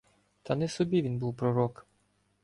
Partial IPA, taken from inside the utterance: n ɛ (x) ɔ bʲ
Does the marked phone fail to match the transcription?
yes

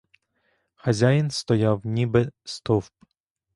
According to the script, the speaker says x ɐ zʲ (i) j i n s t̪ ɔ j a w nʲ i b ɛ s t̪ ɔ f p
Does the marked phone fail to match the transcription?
yes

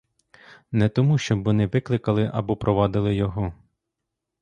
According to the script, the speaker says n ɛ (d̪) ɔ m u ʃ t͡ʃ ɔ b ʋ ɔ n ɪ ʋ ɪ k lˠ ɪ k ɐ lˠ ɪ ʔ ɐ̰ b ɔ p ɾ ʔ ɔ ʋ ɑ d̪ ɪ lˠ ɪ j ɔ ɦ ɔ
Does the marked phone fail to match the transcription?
yes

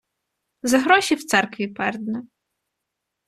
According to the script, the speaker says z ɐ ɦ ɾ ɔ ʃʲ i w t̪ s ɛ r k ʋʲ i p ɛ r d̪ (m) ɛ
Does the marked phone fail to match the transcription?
yes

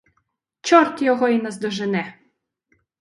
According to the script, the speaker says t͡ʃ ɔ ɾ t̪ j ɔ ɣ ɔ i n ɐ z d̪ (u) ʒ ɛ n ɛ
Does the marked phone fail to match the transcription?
yes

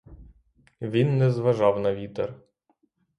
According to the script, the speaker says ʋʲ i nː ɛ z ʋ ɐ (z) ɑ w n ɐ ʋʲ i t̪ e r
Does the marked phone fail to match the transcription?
yes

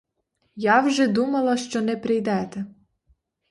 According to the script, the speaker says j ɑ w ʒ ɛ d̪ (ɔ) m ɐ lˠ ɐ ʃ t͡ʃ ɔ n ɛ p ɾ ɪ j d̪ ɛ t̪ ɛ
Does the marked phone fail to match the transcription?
yes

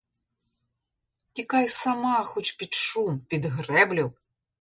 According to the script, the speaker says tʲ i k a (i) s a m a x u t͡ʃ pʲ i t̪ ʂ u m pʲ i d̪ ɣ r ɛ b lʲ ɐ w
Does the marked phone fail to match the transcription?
yes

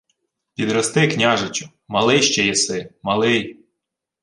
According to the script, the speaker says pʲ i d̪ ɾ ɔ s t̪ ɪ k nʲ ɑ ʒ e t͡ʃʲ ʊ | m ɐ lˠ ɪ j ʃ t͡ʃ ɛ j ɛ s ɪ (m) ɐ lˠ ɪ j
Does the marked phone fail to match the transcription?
no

